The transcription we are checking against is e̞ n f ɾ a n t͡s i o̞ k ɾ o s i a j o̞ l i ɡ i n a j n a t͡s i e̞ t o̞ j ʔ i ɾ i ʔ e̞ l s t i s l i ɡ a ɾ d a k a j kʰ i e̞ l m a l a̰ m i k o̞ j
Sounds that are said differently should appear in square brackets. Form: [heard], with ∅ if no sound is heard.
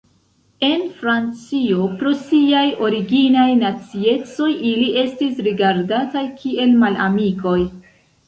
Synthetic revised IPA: e̞ n f ɾ a n t͡s i o̞ [p] ɾ o s i a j o̞ [ɾ] i ɡ i n a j n a t͡s i e̞ [t͡s] o̞ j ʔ i [l] i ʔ e̞ [∅] s t i s [ɾ] i ɡ a ɾ d a [t] a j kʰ i e̞ l m a l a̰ m i k o̞ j